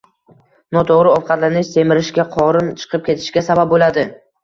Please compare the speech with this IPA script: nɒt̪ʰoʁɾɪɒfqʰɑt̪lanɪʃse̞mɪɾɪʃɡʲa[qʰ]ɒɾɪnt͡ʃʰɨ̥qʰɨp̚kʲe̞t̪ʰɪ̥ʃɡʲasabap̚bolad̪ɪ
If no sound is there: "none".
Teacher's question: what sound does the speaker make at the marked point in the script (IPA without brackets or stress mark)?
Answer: qʰ